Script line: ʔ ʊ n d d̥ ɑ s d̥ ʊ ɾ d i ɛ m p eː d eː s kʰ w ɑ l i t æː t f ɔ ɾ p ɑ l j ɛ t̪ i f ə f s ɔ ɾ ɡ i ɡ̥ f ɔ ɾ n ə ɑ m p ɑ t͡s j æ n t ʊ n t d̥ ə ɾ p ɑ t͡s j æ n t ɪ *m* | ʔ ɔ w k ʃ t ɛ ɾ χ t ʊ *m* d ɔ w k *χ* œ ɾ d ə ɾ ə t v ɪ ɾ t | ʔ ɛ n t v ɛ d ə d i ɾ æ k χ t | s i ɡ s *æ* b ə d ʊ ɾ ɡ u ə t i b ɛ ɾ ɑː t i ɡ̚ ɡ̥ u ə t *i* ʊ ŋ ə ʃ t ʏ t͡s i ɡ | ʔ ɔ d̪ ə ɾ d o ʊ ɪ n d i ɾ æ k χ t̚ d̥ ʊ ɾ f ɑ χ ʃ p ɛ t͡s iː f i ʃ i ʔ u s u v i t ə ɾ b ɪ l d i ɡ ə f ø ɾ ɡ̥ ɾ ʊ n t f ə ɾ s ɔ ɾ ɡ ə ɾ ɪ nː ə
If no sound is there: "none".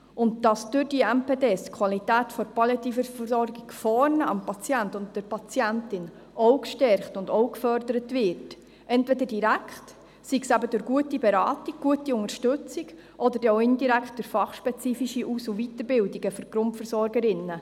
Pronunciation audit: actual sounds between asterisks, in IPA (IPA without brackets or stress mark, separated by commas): n, n, f, æ, i